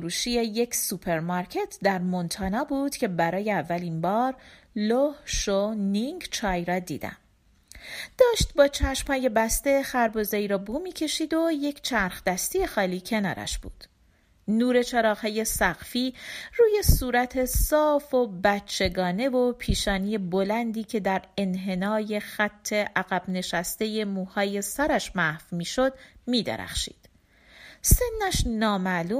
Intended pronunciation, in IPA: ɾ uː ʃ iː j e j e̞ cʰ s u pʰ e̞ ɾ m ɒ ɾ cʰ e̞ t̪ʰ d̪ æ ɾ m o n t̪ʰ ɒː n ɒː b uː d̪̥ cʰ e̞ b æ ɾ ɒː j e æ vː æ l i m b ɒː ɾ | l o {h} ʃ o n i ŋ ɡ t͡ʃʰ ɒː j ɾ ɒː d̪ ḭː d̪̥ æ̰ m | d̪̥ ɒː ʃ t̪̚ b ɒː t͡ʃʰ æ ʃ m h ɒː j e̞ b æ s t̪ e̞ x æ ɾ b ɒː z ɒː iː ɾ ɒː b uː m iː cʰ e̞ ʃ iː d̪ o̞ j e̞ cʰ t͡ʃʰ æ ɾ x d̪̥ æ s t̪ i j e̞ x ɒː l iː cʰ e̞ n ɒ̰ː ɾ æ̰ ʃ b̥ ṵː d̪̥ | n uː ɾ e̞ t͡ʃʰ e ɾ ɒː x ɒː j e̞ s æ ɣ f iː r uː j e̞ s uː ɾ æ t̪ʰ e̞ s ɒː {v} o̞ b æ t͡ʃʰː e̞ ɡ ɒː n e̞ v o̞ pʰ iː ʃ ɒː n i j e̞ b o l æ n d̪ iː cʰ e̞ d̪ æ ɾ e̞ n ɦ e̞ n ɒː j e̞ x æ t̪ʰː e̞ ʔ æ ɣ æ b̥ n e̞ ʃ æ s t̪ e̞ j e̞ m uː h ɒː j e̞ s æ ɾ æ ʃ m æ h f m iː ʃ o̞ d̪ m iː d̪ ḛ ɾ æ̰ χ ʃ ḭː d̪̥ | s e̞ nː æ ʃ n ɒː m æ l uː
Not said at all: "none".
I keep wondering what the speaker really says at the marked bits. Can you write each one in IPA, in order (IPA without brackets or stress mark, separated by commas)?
h, f